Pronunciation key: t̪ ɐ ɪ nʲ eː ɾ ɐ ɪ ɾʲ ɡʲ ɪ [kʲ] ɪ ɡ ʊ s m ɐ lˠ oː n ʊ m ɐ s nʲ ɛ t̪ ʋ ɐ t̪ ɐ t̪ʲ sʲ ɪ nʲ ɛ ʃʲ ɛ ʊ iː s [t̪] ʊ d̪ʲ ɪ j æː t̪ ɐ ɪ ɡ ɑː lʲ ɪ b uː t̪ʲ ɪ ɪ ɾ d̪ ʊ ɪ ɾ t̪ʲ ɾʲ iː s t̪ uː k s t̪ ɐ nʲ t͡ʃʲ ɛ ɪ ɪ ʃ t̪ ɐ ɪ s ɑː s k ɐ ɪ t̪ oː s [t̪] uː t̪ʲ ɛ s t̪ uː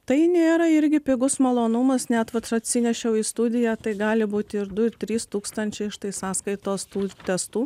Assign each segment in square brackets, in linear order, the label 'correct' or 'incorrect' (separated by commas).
incorrect, correct, correct